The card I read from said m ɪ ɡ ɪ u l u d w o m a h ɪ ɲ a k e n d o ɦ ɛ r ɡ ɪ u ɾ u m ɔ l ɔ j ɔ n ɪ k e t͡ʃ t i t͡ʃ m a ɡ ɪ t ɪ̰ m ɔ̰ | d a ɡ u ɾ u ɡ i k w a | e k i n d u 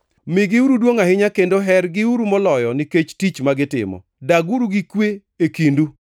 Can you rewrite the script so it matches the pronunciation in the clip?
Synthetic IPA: m ɪ ɡ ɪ u ɾ u d w o ŋ a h ɪ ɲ a k e n d o ɦ ɛ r ɡ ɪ u ɾ u m ɔ l ɔ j ɔ n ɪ k e t͡ʃ t i t͡ʃ m a ɡ ɪ t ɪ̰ m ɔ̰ | d a ɡ u ɾ u ɡ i k w e | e k i n d u

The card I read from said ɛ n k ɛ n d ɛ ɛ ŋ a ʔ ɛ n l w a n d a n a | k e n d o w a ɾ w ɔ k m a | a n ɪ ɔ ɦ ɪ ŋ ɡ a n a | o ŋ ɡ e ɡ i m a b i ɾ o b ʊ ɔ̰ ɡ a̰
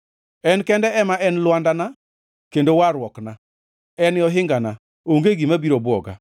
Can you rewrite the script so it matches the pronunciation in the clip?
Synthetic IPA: ɛ n k ɛ n d ɛ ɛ m a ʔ ɛ n l w a n d a n a | k e n d o w a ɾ w ɔ k n a | ɛ n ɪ ɔ ɦ ɪ ŋ ɡ a n a | o ŋ ɡ e ɡ i m a b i ɾ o b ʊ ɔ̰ ɡ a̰

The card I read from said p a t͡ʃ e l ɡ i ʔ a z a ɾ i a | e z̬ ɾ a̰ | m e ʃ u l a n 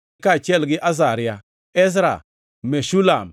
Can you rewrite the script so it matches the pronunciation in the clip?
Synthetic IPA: k a t͡ʃ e l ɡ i ʔ a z a ɾ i a | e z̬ ɾ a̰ | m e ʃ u l a m

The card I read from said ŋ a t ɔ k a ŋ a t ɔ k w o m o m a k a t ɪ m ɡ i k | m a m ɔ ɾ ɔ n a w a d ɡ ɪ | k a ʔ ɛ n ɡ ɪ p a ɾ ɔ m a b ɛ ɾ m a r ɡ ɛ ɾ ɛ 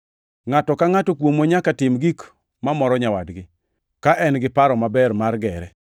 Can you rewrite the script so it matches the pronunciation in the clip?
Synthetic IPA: ŋ a t ɔ k a ŋ a t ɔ k w o m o ɲ a k a t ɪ m ɡ i k | m a m ɔ ɾ ɔ ɲ a w a d ɡ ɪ | k a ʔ ɛ n ɡ ɪ p a ɾ ɔ m a b ɛ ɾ m a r ɡ ɛ ɾ ɛ

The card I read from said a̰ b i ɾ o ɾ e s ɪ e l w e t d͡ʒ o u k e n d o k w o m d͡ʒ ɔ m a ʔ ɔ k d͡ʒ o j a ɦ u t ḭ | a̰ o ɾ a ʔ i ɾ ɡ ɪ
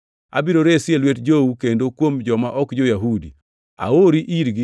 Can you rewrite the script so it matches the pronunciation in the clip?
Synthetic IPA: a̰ b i ɾ o ɾ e s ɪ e l w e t d͡ʒ o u k e n d o k w o m d͡ʒ ɔ m a ʔ ɔ k d͡ʒ o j a ɦ u d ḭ | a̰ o ɾ i ʔ i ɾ ɡ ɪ

